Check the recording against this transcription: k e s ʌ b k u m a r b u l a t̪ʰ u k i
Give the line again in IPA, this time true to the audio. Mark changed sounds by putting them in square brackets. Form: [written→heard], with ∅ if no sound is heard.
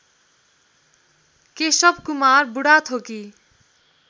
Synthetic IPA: k e s ʌ b k u m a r b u [l→ɽ] a t̪ʰ [u→o] k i